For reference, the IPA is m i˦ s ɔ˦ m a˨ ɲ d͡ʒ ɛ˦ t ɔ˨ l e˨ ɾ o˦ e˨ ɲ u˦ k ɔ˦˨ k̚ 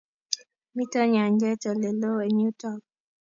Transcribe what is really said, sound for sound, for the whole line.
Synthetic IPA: m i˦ t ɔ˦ ɲ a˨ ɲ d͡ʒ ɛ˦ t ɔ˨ l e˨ l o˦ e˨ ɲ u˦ t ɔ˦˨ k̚